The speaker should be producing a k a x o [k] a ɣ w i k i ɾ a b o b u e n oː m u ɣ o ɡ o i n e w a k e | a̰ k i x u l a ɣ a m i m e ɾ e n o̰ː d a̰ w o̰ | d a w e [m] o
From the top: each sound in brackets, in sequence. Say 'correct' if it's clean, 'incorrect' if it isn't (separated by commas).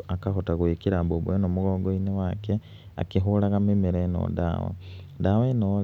incorrect, incorrect